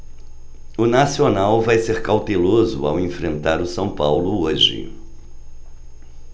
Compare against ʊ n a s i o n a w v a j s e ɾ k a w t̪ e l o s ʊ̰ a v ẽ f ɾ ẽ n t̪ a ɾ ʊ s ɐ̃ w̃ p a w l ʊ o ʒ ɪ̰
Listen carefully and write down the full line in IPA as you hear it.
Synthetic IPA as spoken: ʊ n a s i o n a w v a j s e ɾ k a w t̪ e l o z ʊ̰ a w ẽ f ɾ ẽ n t̪ a ɾ ʊ s ɐ̃ w̃ p a w l ʊ o ʒ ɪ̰